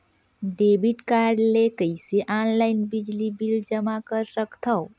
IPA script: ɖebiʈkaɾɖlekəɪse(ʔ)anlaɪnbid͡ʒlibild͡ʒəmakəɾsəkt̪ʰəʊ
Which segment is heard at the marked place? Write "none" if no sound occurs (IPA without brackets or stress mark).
ʔ